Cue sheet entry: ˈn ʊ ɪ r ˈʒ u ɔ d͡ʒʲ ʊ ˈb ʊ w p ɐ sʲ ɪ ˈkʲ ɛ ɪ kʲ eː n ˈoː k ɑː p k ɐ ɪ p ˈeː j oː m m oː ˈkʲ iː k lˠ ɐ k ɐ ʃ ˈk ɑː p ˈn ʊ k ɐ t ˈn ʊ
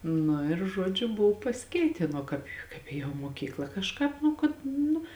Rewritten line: ˈn ʊ ɪ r ˈʒ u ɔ d͡ʒʲ ʊ ˈb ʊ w p ɐ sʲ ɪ ˈkʲ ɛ ɪ tʲ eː n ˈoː k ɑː p k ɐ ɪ p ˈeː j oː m m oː ˈkʲ iː k lˠ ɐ k ɐ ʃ ˈk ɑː p ˈn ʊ k ɐ t ˈn ʊ